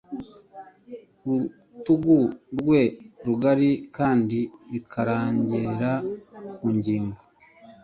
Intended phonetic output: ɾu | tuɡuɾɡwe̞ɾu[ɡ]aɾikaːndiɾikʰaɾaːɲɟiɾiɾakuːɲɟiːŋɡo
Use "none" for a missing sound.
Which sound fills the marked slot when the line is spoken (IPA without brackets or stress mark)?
ɡ